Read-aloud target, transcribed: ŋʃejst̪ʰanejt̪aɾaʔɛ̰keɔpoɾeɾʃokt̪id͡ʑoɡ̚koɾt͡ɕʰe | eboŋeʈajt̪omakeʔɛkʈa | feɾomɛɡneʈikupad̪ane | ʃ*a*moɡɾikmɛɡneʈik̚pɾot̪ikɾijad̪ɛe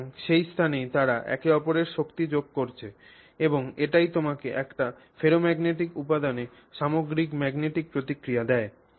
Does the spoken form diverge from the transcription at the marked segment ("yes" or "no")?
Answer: no